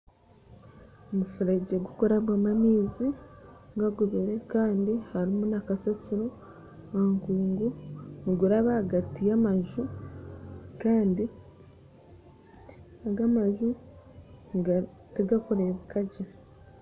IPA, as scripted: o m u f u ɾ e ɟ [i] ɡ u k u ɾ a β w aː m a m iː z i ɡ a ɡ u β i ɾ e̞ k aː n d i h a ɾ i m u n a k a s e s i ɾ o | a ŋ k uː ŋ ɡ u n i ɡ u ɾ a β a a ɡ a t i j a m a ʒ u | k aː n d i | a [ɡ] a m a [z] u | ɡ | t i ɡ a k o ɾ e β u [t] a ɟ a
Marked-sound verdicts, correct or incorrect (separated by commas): incorrect, correct, incorrect, incorrect